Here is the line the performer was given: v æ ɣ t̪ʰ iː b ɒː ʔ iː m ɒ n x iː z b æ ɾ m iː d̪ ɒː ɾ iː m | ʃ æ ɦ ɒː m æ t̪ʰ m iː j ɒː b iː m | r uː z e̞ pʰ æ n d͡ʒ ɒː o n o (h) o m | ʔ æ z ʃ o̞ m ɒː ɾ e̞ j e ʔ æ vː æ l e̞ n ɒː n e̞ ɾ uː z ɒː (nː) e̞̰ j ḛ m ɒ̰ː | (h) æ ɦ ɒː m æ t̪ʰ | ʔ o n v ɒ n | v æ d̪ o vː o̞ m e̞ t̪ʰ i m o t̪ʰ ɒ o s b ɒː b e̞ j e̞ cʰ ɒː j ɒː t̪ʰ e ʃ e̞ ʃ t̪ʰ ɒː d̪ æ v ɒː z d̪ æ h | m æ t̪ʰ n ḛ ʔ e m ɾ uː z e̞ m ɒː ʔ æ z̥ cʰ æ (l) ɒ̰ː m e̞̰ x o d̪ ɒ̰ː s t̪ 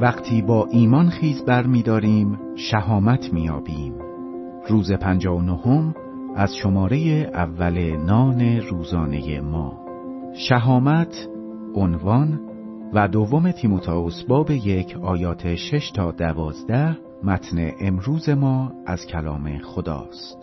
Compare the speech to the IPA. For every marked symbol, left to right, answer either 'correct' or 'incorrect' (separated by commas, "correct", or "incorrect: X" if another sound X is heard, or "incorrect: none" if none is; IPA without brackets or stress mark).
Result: correct, incorrect: n, incorrect: ʃ, correct